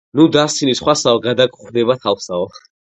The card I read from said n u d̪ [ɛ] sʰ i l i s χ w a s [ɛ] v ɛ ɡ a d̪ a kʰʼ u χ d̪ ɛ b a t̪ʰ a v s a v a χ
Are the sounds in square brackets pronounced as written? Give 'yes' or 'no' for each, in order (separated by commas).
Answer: no, no